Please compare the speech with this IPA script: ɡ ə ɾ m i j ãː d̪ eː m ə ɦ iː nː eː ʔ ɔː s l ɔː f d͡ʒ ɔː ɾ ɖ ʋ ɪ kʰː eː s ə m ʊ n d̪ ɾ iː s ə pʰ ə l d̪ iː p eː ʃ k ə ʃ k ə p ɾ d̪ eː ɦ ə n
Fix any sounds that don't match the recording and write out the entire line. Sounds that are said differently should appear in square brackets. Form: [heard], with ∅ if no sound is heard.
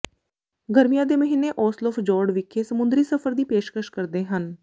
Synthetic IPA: ɡ ə ɾ m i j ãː d̪ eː m ə ɦ iː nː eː ʔ ɔː s l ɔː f d͡ʒ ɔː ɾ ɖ ʋ ɪ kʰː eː s ə m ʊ n d̪ ɾ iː s ə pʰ ə [ɾ] d̪ iː p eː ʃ k ə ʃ k ə [∅] ɾ d̪ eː ɦ ə n

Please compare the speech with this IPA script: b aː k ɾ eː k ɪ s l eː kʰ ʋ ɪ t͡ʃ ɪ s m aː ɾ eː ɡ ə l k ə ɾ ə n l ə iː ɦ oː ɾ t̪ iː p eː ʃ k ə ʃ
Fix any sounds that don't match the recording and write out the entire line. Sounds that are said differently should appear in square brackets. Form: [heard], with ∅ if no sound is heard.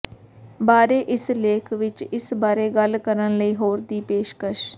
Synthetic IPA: b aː [∅] ɾ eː [ʔ] ɪ s l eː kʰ ʋ ɪ t͡ʃ ɪ s [b] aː ɾ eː ɡ ə l k ə ɾ ə n l ə iː ɦ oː ɾ [d̪] iː p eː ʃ k ə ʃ

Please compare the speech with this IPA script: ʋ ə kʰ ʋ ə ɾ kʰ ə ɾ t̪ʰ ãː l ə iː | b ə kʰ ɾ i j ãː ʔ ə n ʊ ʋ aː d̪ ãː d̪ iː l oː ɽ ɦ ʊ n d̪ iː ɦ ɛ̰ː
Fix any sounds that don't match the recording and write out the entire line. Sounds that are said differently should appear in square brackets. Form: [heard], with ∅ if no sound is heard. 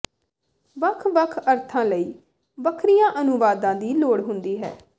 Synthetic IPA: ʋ ə kʰ ʋ ə [∅] kʰ ə ɾ t̪ʰ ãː l ə iː | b ə kʰ ɾ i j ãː ʔ ə n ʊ ʋ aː d̪ ãː d̪ iː l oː ɽ ɦ ʊ n d̪ iː ɦ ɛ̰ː

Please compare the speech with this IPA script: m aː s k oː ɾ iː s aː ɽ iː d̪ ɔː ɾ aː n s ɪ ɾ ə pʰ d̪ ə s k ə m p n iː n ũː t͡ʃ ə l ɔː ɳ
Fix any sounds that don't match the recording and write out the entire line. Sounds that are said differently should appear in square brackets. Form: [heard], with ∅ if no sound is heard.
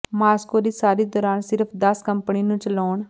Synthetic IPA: m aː s k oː ɾ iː s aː [ɾ] iː d̪ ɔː ɾ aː n s ɪ ɾ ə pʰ d̪ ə s k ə m p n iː n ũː t͡ʃ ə l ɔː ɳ

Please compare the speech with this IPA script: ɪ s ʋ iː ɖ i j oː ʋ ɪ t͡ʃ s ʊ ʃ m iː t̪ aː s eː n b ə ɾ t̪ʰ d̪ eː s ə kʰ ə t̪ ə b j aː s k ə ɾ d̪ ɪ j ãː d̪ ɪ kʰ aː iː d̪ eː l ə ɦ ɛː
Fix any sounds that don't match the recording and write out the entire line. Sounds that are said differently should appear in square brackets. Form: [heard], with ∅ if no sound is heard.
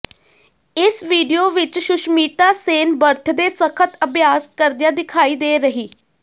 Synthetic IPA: ɪ s ʋ iː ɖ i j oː ʋ ɪ t͡ʃ [ʃ] ʊ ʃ m iː t̪ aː s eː n b ə ɾ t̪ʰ d̪ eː s ə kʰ ə t̪ ə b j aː s k ə ɾ d̪ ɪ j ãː d̪ ɪ kʰ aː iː d̪ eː [ɾ] ə ɦ [iː]

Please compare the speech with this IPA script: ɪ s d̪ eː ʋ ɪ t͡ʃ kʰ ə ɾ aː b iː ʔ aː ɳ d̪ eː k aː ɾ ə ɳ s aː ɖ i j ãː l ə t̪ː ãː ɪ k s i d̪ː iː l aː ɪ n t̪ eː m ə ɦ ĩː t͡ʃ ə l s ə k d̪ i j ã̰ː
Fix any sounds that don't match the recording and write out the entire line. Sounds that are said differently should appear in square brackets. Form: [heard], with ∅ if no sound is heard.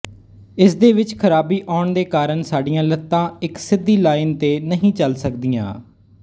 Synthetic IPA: ɪ s d̪ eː ʋ ɪ t͡ʃ kʰ ə ɾ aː b iː ʔ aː ɳ d̪ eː k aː ɾ ə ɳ s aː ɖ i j ãː l ə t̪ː ãː ɪ k s [ɪ] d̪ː iː l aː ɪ n t̪ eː [n] ə ɦ ĩː t͡ʃ ə l s ə k d̪ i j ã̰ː

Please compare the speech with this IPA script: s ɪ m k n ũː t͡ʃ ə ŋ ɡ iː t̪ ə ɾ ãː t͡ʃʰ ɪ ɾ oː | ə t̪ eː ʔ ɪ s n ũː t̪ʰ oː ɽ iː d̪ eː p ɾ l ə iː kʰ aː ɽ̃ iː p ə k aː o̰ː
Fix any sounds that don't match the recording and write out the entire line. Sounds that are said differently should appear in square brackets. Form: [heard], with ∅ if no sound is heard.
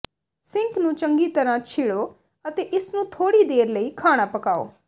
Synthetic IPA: s ɪ [ŋ] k n ũː t͡ʃ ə ŋ ɡ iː t̪ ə ɾ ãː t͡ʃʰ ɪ [ɽ] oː | ə t̪ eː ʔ ɪ s n ũː t̪ʰ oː ɽ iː d̪ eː [∅] ɾ l ə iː kʰ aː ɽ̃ [aː] p ə k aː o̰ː

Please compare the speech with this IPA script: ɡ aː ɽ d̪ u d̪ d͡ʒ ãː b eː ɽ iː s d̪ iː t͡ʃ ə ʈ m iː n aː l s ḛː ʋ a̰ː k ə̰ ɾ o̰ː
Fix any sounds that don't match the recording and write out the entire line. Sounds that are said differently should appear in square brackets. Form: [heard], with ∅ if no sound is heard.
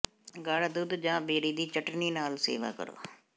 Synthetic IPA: ɡ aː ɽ d̪ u d̪ d͡ʒ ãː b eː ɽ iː [∅] d̪ iː t͡ʃ ə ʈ [n] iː n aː l s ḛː ʋ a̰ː k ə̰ ɾ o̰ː

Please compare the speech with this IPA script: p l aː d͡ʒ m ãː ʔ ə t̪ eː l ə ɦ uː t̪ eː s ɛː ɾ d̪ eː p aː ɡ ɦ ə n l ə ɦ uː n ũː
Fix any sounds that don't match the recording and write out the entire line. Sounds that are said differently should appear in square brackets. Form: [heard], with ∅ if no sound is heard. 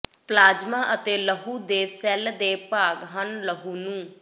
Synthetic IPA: p l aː d͡ʒ m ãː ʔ ə t̪ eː l ə ɦ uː [d̪] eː s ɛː [l] d̪ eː p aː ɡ ɦ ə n l ə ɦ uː n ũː

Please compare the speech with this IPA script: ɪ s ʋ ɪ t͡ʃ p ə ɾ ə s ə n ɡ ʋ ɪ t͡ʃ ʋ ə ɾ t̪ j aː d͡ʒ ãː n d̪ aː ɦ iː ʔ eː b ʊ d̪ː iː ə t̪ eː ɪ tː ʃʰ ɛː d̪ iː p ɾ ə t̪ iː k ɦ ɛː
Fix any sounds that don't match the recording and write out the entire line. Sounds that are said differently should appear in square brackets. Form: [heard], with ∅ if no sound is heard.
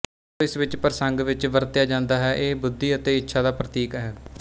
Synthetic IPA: ɪ s ʋ ɪ t͡ʃ p ə ɾ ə s ə [ŋ] ɡ ʋ ɪ t͡ʃ ʋ ə ɾ t̪ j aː d͡ʒ ãː n d̪ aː ɦ [ɛː] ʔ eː b ʊ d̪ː iː ə t̪ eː ɪ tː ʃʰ [aː] d̪ [aː] p ɾ ə t̪ iː k ɦ ɛː

